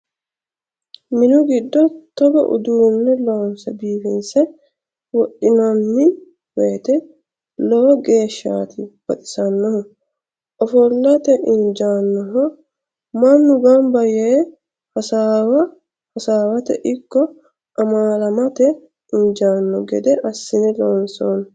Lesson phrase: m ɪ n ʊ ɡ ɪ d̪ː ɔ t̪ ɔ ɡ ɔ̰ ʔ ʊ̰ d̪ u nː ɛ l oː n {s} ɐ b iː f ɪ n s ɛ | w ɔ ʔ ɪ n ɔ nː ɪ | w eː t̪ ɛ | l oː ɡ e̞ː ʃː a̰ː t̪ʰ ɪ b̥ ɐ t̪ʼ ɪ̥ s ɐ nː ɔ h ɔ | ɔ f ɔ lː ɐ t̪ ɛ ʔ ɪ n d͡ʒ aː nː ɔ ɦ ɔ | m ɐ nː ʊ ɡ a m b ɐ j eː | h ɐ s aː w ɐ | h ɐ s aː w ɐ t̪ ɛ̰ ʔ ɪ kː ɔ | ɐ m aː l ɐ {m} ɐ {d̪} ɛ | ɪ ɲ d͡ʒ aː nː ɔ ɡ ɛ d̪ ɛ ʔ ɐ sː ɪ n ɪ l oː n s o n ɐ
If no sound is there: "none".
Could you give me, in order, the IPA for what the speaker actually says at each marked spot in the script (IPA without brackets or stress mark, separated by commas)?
s, m, t̪